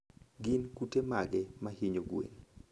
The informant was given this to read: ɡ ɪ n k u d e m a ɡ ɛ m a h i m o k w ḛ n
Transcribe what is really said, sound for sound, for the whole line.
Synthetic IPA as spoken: ɡ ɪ n k u t e m a ɡ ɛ m a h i ɲ o ɡ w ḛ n